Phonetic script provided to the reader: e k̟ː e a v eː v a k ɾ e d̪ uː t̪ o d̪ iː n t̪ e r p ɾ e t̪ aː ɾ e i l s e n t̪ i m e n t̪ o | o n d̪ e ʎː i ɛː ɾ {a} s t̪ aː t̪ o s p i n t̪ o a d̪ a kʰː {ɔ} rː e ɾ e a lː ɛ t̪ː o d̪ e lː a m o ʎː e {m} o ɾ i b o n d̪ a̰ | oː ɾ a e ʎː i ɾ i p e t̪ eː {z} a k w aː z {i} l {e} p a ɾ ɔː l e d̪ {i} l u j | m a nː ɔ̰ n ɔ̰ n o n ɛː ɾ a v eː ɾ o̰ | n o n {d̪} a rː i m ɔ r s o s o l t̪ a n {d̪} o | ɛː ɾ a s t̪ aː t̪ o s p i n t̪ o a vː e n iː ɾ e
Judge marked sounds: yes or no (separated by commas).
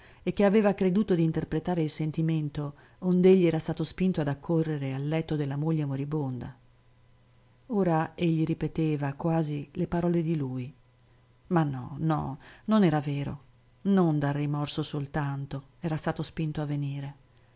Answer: yes, no, yes, no, yes, yes, yes, yes, no